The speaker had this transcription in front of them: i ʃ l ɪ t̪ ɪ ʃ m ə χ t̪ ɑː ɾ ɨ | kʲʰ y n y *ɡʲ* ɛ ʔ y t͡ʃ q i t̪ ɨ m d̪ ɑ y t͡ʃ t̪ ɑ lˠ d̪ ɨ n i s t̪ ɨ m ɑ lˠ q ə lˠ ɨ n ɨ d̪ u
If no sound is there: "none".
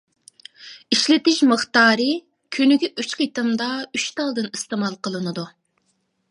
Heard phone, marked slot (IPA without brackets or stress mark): ɡʲ